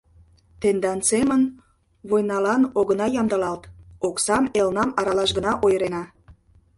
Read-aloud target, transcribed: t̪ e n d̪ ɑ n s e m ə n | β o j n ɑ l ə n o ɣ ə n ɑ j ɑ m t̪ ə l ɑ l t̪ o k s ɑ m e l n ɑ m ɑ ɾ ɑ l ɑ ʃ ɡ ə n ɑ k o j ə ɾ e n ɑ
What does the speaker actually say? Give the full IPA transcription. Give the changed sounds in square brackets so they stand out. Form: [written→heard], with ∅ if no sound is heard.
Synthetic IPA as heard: t̪ e n d̪ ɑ n s e m ə n | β o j n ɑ l [ə→ɑ] n o ɣ ə n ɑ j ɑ m [t̪→d̪] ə l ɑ l t̪ o k s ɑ m e l n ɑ m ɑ ɾ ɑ l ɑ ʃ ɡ ə n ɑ [k→ʔ] o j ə ɾ e n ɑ